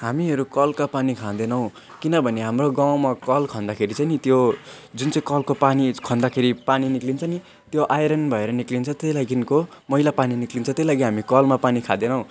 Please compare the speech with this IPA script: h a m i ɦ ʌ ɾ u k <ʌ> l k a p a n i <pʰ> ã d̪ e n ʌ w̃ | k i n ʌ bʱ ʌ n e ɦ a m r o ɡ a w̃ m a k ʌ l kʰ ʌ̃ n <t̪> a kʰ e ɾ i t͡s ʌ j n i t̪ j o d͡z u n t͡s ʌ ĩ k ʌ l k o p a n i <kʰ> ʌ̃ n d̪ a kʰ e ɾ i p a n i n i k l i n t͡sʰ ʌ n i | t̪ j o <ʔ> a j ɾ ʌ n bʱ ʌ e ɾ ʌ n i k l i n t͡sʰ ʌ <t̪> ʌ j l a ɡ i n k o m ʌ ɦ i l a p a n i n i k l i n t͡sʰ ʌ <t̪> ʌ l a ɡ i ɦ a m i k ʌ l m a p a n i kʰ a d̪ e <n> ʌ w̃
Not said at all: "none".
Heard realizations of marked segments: ʌ, kʰ, d̪, kʰ, ʔ, t̪, t̪, n

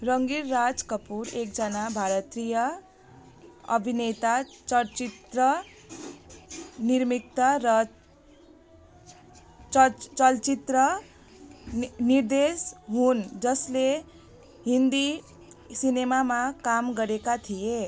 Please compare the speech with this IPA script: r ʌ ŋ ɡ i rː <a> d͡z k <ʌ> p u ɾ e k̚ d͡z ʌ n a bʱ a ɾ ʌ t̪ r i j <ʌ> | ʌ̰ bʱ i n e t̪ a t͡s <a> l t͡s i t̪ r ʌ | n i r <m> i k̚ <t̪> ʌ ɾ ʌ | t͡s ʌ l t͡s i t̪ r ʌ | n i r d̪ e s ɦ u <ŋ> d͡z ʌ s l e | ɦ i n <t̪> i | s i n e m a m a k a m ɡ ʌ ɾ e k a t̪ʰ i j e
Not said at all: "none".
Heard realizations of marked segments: a, ʌ, ʌ, ʌ, m, t̪, n, d̪

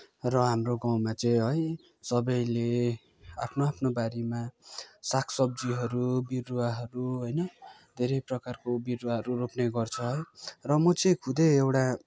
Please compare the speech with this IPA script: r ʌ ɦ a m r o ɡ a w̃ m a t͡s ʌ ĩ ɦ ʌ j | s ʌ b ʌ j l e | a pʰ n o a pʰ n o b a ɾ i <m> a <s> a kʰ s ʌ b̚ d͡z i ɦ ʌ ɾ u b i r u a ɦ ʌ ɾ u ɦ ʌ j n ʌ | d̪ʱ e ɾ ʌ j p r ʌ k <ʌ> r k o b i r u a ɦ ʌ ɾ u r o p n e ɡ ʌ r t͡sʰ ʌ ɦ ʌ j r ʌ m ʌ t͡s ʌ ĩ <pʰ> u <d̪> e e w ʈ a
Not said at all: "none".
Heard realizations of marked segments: m, s, a, kʰ, d̪

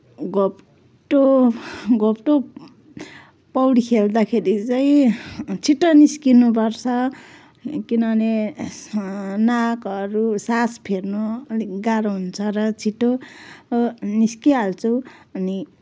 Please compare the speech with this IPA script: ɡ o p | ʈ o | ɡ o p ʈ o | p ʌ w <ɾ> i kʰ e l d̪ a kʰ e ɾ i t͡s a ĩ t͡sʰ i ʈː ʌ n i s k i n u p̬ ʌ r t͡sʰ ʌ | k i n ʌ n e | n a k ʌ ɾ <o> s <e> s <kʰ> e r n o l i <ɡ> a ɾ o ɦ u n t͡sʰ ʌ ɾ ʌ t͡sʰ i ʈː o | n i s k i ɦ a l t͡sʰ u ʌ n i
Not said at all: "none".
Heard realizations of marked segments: ɽ, u, a, pʰ, ɡ

